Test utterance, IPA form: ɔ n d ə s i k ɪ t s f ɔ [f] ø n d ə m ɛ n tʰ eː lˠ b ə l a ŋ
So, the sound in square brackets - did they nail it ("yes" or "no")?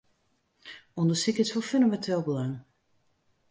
yes